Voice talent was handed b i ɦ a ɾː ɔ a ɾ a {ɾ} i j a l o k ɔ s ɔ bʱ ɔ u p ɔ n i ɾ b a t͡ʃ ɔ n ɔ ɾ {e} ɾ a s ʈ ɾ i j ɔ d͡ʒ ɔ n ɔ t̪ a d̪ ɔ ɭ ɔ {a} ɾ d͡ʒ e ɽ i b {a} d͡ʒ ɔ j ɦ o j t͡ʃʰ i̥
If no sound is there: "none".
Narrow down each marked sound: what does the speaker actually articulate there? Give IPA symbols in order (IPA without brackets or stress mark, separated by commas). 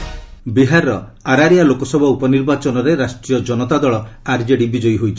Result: ɾ, e, a, i